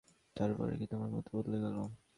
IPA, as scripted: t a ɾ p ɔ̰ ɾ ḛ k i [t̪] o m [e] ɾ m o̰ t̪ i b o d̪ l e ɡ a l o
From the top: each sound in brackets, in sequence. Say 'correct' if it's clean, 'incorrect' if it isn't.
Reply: correct, incorrect

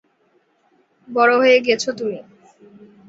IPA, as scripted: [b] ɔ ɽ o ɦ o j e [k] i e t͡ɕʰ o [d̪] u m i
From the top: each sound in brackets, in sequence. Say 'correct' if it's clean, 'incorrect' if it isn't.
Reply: correct, incorrect, incorrect

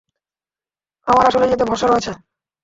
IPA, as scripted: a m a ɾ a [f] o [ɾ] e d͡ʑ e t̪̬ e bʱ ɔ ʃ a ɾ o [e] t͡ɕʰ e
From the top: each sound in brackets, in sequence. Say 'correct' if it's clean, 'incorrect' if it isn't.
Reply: incorrect, incorrect, correct

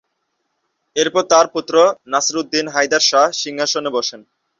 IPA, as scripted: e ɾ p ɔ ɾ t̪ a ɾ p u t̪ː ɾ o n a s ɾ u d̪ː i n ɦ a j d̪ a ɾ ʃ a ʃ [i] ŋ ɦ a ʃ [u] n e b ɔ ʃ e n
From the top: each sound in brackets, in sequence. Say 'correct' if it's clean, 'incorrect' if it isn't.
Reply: correct, incorrect

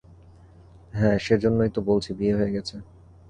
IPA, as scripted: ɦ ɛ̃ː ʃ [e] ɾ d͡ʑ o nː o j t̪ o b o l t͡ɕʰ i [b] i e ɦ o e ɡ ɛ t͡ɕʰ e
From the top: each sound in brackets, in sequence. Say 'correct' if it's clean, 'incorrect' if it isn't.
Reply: correct, correct

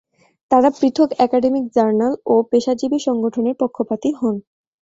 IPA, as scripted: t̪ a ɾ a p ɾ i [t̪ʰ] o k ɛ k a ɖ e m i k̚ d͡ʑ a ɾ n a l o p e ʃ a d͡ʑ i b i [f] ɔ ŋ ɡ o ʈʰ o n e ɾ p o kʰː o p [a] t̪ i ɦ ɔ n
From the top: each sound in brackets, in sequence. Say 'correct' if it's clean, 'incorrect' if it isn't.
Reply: correct, incorrect, correct

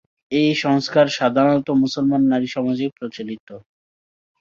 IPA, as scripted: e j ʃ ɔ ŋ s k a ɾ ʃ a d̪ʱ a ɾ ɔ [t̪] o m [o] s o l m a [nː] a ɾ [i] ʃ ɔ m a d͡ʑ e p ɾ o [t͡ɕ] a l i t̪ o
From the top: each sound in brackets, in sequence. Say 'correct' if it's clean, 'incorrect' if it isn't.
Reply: correct, incorrect, correct, correct, correct

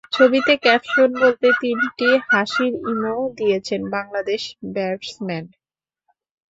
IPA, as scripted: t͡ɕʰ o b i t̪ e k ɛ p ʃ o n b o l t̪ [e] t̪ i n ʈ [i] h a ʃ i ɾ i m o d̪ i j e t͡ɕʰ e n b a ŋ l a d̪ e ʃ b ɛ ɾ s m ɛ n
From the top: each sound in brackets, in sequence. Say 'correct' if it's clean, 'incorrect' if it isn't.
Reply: correct, correct

